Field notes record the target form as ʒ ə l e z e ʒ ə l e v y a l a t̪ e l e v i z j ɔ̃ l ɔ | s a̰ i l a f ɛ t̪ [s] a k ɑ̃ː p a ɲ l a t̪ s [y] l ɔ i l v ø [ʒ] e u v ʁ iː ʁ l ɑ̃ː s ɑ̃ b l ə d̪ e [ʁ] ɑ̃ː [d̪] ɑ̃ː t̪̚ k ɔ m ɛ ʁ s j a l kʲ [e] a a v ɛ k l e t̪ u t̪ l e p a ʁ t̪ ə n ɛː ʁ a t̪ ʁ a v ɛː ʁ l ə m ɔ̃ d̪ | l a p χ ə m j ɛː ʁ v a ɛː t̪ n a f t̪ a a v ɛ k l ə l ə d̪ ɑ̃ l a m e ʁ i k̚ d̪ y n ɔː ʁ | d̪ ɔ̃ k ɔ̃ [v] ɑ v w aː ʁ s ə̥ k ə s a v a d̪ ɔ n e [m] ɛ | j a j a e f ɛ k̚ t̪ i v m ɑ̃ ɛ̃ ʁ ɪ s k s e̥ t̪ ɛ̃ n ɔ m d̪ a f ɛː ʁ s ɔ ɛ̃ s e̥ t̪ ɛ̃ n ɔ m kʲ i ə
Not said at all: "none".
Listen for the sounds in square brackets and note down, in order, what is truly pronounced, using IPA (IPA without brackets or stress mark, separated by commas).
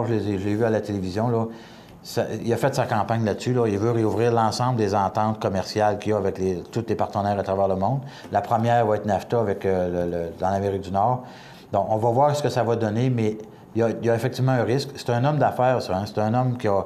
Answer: s, y, ʁ, z, t̪, i, v, m